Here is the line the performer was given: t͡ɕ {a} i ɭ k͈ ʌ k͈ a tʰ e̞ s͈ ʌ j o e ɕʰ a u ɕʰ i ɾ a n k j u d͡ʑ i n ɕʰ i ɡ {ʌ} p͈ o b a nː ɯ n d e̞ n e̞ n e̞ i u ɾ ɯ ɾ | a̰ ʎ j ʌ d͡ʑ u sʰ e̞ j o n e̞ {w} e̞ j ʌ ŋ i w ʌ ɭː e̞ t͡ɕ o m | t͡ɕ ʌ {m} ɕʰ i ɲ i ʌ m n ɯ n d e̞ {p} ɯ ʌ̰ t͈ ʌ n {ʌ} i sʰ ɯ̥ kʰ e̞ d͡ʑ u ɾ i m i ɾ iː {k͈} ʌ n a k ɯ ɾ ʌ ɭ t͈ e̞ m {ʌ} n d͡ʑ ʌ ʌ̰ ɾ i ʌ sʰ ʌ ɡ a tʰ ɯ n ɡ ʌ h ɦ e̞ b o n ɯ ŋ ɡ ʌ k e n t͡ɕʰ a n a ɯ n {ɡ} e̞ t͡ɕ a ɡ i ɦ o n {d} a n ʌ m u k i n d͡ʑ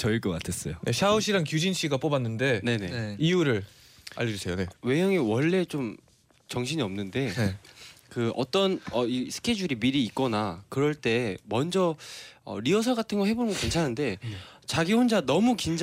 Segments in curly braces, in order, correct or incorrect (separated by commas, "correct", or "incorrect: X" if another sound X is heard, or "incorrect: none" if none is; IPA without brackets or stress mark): incorrect: ʌ, incorrect: a, correct, incorrect: ŋ, incorrect: k, correct, correct, correct, incorrect: d, incorrect: d͡ʑ